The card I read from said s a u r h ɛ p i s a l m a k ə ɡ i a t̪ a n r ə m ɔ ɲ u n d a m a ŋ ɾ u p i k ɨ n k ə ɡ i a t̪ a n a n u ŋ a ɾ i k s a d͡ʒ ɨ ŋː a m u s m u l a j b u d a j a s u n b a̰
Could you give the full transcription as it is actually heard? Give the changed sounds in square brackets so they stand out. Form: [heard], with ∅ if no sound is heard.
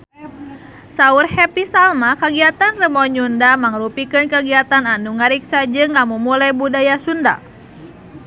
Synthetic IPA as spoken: s a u r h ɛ p i s a l m a k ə ɡ i a t̪ a n r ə m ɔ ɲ u n d a m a ŋ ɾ u p i k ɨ n k ə ɡ i a t̪ a n a n u ŋ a ɾ i k s a d͡ʒ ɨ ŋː a m u [∅] m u l a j b u d a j a s u n [d] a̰